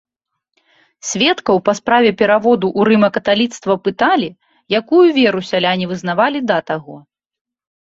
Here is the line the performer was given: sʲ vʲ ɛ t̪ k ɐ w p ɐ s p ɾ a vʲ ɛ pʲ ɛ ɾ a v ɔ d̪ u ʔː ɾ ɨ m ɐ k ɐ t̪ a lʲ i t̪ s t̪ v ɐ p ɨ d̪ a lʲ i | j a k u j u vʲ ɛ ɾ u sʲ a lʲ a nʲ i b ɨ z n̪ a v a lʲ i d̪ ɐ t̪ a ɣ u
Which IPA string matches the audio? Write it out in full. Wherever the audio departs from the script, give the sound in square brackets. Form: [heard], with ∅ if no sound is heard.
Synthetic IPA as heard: sʲ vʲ ɛ t̪ k ɐ w p ɐ s p ɾ a vʲ ɛ pʲ ɛ ɾ a v ɔ d̪ u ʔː ɾ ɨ m ɐ k ɐ t̪ a lʲ i t̪ s t̪ v ɐ p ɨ [t̪] a lʲ i | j a k u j u vʲ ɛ ɾ u sʲ a lʲ a nʲ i [v] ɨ z n̪ a v a lʲ i d̪ ɐ t̪ a ɣ [ɔ]